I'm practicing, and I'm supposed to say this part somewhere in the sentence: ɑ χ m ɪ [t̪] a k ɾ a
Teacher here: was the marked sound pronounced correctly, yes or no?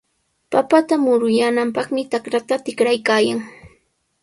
yes